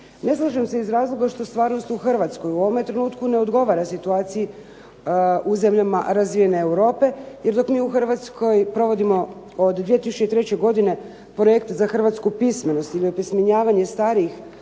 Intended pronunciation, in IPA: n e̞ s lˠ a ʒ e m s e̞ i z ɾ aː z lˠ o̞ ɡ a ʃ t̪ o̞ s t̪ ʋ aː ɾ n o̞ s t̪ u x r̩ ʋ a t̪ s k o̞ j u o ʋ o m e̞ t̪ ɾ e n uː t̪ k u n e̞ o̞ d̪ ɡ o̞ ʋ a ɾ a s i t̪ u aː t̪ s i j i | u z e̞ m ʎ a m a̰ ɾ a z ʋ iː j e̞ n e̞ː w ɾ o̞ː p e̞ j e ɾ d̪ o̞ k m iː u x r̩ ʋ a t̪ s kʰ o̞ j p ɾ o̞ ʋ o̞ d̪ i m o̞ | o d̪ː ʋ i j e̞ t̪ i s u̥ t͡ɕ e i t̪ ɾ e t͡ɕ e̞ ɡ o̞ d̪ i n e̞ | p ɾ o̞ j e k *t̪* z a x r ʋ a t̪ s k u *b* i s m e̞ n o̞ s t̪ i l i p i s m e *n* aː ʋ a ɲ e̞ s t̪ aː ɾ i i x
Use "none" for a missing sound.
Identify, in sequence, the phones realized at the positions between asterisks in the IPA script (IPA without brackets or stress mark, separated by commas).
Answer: t̪, p, ɲ